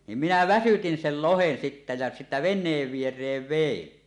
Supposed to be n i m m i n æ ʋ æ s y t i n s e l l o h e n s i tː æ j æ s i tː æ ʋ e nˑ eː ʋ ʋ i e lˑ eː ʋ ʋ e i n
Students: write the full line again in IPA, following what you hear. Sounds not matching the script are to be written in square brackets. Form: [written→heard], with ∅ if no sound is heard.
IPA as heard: n i m m i n æ ʋ æ s y t i n s e l l o h e n s i tː æ j æ s i tː æ ʋ e nˑ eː ʋ ʋ i e [lˑ→rˑ] eː ʋ ʋ e i n